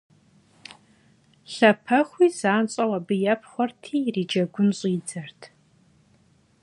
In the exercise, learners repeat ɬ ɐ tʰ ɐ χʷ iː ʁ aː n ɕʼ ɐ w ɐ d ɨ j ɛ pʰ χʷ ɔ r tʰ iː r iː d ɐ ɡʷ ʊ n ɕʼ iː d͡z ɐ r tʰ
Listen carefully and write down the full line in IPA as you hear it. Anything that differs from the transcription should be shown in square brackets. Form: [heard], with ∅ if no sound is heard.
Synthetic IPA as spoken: ɬ ɐ [pʰ] ɐ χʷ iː [z] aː n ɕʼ ɐ w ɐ [b] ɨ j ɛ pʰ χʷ ɔ r tʰ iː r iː [d͡ʒ] ɐ ɡʷ ʊ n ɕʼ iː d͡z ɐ r tʰ